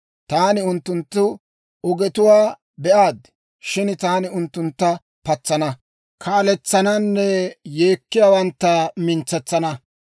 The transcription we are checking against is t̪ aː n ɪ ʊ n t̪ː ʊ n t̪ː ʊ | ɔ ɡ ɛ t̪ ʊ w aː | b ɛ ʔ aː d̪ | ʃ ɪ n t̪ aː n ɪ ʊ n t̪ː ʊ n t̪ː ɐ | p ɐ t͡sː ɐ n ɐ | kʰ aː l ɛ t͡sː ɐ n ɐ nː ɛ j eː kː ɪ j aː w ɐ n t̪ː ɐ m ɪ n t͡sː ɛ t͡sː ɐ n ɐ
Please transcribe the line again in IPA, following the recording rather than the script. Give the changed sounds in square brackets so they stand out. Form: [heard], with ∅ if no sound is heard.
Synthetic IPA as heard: t̪ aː n ɪ ʊ n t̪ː ʊ n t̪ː ʊ | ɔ ɡ ɛ t̪ ʊ w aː | b ɛ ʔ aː d̪ | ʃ ɪ n t̪ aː n ɪ ʊ n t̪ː ʊ n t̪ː ɐ | p ɐ t͡sː ɐ n ɐ | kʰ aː l ɛ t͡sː ɐ n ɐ nː ɛ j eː kː ɪ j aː w ɐ n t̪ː ɐ m ɪ n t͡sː ɛ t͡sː ɐ n ɐ

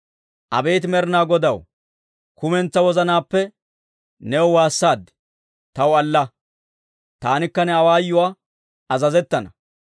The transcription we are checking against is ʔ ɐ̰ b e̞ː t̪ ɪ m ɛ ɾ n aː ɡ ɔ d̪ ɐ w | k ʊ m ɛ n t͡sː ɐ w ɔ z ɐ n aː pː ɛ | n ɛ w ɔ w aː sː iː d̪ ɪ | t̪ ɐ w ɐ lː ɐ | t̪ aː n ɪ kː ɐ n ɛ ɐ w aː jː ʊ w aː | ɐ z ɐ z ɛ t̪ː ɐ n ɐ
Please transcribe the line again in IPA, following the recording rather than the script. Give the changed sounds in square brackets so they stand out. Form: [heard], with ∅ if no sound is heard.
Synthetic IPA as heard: ʔ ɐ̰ b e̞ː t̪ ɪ m ɛ ɾ n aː ɡ ɔ d̪ ɐ w | k ʊ m ɛ n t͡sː ɐ w ɔ z ɐ n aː pː ɛ | n ɛ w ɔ w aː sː [aː] d̪ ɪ | t̪ ɐ w ɐ lː ɐ | t̪ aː n ɪ kː ɐ n ɛ ɐ w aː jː ʊ w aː | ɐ z ɐ z ɛ t̪ː ɐ n ɐ

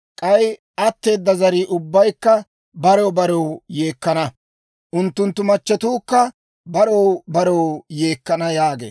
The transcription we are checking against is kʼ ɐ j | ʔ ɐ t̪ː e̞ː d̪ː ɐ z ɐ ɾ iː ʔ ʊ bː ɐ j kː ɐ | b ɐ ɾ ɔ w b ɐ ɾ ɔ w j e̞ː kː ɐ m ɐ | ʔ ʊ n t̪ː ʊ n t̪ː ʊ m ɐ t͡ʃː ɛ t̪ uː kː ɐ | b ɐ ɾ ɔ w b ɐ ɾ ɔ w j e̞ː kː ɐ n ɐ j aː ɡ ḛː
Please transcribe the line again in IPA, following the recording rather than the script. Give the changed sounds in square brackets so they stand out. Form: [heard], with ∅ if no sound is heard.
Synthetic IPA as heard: kʼ ɐ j | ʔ ɐ t̪ː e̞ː d̪ː ɐ z ɐ ɾ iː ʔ ʊ bː ɐ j kː ɐ | b ɐ ɾ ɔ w b ɐ ɾ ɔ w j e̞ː kː ɐ [n] ɐ | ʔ ʊ n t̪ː ʊ n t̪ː ʊ m ɐ t͡ʃː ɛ t̪ uː kː ɐ | b ɐ ɾ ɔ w b ɐ ɾ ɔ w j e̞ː kː ɐ n ɐ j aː ɡ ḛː

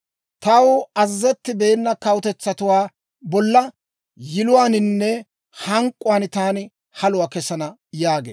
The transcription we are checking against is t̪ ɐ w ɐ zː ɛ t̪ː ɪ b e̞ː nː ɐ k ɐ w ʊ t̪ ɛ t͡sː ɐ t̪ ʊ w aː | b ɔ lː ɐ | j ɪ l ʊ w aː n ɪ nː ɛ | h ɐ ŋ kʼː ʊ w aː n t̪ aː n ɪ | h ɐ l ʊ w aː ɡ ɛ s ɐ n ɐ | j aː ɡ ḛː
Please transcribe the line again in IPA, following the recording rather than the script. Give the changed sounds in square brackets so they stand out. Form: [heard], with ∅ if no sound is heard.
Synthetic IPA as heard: t̪ ɐ w ɐ zː ɛ t̪ː ɪ b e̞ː nː ɐ k ɐ w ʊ t̪ ɛ t͡sː ɐ t̪ ʊ w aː | b ɔ lː ɐ | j ɪ l ʊ w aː n ɪ nː ɛ | h ɐ ŋ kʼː ʊ w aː n t̪ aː n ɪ | h ɐ l ʊ w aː [k] ɛ s ɐ n ɐ | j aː ɡ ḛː

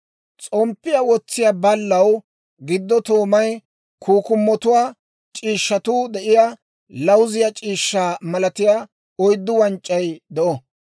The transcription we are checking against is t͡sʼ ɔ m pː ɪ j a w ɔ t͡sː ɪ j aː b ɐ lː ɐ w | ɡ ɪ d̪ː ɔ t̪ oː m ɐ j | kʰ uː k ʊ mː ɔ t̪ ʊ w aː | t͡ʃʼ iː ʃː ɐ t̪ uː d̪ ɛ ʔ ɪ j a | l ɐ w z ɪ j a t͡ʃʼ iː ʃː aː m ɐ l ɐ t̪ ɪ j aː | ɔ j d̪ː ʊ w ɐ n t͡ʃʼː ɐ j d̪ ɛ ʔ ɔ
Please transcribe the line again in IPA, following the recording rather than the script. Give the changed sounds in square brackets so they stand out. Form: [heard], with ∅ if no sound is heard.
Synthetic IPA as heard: t͡sʼ ɔ m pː ɪ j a w ɔ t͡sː ɪ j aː b ɐ lː ɐ w | ɡ ɪ d̪ː ɔ t̪ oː m ɐ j | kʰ uː k ʊ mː ɔ t̪ ʊ w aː | t͡ʃʼ iː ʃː ɐ t̪ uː d̪ ɛ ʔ ɪ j a | l ɐ w z ɪ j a t͡ʃʼ iː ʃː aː m ɐ l ɐ t̪ ɪ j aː | ɔ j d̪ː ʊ w ɐ n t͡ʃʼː ɐ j d̪ ɛ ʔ ɔ

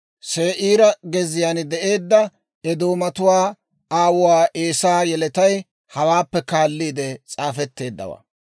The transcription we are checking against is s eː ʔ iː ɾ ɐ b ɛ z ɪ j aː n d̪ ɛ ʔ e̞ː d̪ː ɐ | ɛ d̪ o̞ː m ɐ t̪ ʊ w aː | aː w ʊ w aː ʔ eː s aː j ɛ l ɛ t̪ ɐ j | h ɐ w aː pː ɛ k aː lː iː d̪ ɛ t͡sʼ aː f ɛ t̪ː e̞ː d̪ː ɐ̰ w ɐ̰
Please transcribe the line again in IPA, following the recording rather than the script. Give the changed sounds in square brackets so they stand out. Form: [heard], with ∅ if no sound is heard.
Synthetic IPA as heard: s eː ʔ iː ɾ ɐ [ɡ] ɛ z ɪ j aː n d̪ ɛ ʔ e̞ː d̪ː ɐ | ɛ d̪ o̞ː m ɐ t̪ ʊ w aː | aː w ʊ w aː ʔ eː s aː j ɛ l ɛ t̪ ɐ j | h ɐ w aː pː ɛ k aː lː iː d̪ ɛ t͡sʼ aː f ɛ t̪ː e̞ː d̪ː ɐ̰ w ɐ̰

